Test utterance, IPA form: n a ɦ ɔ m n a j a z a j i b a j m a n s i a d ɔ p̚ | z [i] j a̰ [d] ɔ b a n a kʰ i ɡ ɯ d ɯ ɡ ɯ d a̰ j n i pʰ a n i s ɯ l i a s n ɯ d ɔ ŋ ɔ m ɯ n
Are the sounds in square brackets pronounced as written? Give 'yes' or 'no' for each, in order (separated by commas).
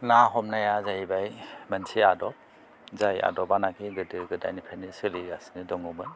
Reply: no, yes